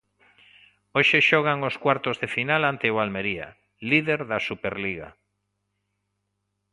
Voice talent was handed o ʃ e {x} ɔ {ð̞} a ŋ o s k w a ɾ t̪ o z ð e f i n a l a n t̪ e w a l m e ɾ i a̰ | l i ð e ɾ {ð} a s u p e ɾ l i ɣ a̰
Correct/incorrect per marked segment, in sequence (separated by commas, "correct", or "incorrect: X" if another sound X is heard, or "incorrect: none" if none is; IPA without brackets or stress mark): incorrect: ʃ, incorrect: ɣ̞, correct